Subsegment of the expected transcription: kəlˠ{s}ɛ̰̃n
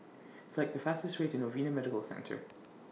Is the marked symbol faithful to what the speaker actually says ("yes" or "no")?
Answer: yes